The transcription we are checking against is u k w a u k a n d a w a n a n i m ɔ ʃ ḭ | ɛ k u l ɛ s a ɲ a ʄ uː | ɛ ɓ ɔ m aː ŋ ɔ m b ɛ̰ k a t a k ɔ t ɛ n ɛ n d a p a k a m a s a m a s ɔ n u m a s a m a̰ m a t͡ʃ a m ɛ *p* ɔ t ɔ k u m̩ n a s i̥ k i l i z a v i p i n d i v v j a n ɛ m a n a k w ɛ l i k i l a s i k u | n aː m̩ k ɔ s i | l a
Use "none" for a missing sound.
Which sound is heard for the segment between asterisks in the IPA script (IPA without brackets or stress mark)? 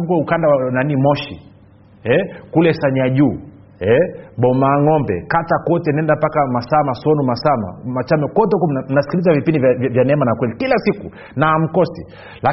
k